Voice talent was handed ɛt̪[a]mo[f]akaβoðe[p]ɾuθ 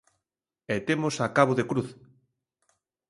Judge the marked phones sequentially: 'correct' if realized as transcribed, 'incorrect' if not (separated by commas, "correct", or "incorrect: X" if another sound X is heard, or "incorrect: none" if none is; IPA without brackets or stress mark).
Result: incorrect: e, incorrect: s, incorrect: k